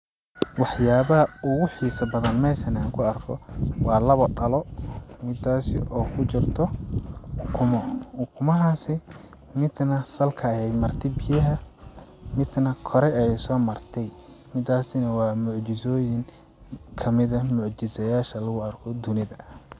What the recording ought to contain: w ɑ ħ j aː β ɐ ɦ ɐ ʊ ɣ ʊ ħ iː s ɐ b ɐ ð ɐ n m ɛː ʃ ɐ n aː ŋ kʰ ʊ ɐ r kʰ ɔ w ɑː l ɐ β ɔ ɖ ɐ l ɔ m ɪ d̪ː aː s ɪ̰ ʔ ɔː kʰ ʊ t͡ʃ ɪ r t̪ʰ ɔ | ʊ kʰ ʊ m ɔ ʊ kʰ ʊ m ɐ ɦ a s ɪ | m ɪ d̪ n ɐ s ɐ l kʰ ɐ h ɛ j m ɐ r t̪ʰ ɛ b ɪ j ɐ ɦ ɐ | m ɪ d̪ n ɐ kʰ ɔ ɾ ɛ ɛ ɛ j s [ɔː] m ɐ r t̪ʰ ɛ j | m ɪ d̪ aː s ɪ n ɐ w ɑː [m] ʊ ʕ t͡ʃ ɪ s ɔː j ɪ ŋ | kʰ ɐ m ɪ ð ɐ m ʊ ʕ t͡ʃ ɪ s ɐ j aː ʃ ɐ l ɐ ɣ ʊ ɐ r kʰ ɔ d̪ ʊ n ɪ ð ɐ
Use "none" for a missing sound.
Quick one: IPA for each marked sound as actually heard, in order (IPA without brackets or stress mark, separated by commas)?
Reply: ɔː, m